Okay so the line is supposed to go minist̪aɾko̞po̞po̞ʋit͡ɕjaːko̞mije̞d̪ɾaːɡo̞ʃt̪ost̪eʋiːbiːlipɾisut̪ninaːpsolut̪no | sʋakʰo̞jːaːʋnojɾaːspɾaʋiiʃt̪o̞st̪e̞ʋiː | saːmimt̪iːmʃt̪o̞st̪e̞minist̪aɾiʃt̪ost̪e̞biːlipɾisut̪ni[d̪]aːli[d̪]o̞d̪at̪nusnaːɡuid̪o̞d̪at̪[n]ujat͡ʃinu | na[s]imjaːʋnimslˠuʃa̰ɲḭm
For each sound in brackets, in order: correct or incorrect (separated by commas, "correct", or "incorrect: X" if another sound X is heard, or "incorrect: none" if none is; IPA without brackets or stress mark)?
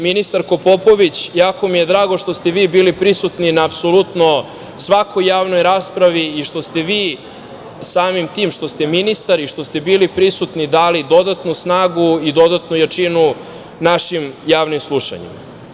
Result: correct, correct, correct, incorrect: ʃ